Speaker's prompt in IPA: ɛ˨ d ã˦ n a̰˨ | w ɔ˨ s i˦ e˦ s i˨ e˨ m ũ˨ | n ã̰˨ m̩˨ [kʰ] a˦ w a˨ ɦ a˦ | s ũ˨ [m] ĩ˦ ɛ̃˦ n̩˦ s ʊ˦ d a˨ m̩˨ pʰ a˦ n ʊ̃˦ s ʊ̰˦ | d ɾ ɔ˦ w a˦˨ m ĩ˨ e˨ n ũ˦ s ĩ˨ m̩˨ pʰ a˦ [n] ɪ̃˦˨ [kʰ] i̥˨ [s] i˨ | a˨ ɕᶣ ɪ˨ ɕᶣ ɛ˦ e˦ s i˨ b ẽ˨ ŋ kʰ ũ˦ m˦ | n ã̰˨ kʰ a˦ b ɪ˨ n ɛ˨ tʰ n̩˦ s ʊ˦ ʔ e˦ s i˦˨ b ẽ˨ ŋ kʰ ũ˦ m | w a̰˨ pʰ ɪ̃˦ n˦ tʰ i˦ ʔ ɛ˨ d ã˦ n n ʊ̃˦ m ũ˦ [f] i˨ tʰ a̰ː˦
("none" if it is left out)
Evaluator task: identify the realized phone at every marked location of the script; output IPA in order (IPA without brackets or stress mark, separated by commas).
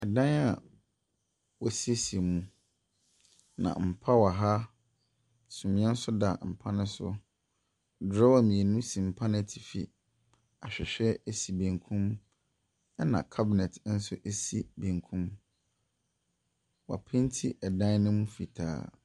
pʰ, m, n, tʰ, f, f